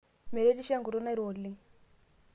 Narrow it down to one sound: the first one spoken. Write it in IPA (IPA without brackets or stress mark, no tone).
m